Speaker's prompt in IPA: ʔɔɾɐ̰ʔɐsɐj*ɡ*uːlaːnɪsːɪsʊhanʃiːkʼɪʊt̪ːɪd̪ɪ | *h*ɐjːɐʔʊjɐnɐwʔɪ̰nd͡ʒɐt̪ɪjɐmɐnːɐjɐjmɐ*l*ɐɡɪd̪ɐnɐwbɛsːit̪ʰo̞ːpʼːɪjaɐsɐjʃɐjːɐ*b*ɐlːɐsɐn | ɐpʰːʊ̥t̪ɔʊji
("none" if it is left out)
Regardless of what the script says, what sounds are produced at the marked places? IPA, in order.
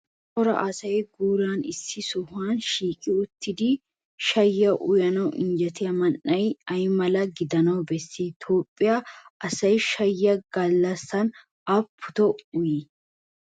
ɡ, ʃ, l, ɡ

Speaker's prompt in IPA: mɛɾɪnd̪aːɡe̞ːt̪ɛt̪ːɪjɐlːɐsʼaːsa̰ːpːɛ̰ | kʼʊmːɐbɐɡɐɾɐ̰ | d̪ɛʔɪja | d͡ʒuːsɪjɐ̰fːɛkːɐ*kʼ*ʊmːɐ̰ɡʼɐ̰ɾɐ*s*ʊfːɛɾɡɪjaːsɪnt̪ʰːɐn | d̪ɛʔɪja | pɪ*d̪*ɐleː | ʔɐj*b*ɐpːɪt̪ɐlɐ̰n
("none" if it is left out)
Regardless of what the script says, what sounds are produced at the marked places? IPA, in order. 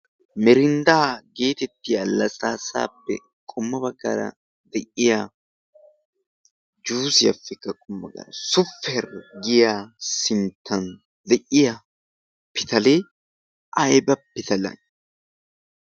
kʼ, s, t̪, b

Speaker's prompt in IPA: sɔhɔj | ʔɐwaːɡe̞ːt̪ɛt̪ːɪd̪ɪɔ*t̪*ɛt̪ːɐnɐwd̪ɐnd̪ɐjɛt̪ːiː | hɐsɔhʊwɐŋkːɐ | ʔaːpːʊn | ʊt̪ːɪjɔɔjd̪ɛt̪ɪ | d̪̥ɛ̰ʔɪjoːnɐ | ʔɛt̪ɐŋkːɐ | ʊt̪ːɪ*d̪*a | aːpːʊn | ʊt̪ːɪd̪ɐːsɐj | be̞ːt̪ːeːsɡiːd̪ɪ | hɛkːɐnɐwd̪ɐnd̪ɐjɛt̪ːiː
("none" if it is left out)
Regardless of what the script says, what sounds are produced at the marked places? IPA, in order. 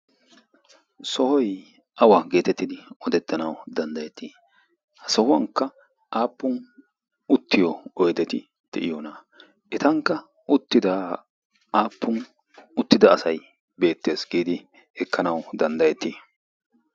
d̪, d̪

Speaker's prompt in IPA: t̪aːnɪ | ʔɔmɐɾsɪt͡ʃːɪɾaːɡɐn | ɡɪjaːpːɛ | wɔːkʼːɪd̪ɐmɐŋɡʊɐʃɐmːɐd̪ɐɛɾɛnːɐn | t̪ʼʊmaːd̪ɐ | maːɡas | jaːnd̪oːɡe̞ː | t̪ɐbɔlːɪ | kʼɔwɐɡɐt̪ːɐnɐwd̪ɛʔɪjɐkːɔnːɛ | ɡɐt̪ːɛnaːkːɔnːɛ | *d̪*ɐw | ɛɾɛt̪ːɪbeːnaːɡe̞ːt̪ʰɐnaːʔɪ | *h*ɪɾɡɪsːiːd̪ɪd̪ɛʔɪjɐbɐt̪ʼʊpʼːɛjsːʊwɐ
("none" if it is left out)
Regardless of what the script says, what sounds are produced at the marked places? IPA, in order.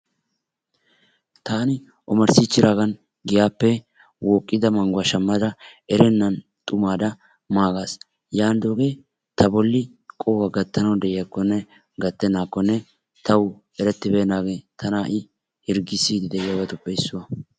t̪, h

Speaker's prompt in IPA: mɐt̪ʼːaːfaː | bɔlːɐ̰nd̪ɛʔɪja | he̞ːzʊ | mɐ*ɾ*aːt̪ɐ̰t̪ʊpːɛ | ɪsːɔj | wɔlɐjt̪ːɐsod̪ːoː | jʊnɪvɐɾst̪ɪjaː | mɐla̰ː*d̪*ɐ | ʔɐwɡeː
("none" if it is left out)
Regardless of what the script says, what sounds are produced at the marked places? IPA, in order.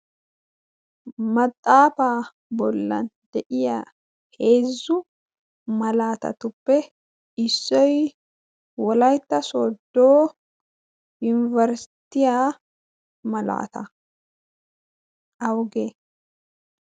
l, t̪

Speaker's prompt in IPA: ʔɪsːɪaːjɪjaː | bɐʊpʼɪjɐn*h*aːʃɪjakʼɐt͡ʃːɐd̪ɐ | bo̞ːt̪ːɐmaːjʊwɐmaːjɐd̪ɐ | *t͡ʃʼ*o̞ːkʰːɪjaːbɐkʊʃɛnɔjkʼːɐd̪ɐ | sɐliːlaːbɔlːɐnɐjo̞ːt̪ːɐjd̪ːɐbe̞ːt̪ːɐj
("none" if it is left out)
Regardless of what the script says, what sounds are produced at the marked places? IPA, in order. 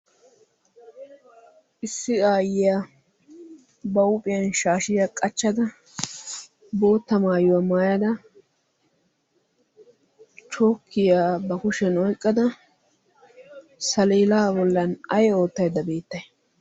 ʃ, t͡ʃ

